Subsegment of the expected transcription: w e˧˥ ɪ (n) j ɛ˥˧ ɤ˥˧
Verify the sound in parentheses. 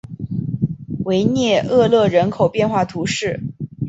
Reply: correct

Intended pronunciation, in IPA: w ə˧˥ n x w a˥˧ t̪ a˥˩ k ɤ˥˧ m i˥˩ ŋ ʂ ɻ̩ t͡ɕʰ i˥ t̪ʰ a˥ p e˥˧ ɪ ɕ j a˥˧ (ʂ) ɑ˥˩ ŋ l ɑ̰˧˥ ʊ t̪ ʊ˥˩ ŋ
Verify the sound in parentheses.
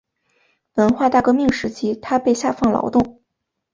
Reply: incorrect: f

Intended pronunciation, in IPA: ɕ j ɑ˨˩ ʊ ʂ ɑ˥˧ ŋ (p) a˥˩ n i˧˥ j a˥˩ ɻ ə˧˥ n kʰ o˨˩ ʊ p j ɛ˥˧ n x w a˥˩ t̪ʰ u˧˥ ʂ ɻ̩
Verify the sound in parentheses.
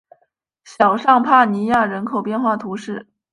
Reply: incorrect: pʰ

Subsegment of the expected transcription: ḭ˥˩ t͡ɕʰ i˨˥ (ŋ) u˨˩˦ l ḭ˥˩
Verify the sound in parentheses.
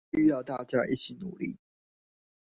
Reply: incorrect: n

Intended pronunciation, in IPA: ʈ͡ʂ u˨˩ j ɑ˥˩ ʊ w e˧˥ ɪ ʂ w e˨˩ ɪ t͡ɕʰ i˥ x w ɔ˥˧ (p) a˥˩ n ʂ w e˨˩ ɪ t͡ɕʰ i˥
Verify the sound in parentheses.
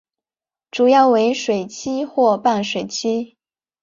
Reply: correct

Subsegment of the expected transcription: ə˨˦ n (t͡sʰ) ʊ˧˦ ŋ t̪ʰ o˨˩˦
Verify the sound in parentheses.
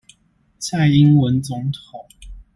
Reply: incorrect: t͡s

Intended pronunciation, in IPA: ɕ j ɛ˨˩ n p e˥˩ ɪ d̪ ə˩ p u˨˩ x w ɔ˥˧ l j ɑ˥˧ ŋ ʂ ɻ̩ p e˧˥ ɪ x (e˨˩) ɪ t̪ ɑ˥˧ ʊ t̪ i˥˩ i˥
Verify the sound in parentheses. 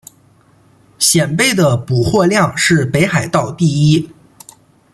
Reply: incorrect: a˨˩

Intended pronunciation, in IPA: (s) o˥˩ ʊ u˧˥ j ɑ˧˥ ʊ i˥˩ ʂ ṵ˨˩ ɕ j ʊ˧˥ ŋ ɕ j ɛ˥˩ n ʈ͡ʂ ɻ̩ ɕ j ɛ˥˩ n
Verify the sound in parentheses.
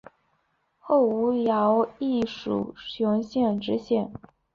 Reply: incorrect: x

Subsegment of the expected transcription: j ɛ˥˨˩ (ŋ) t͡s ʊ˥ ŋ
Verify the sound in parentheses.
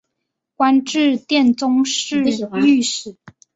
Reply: incorrect: n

